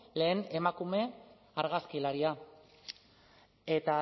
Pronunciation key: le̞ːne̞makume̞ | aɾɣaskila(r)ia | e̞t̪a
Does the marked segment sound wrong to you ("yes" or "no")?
yes